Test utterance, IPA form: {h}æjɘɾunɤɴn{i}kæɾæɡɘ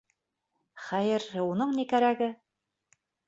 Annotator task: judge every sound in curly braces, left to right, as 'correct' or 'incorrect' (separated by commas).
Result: incorrect, correct